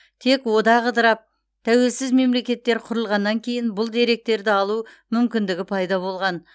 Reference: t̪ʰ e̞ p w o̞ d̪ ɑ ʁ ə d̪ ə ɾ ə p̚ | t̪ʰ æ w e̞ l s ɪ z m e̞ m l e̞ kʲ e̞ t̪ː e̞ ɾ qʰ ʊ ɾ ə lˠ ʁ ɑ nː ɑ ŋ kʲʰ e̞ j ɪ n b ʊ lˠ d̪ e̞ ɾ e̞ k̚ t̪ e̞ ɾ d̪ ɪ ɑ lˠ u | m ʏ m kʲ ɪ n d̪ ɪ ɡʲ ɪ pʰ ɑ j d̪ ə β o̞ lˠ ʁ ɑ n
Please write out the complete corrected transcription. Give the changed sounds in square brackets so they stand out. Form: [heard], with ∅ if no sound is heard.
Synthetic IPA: t̪ʰ e̞ [k] w o̞ d̪ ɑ ʁ ə d̪ ə ɾ [ɑ] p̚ | t̪ʰ æ w e̞ l s ɪ z m e̞ m l e̞ kʲ e̞ t̪ː e̞ ɾ qʰ ʊ ɾ ə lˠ ʁ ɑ nː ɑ ŋ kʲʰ e̞ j ɪ n b ʊ lˠ d̪ e̞ ɾ e̞ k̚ t̪ e̞ ɾ d̪ ɪ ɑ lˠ u | m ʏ m kʲ ɪ n d̪ ɪ ɡʲ ɪ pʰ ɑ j d̪ [ɑ] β o̞ lˠ ʁ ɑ n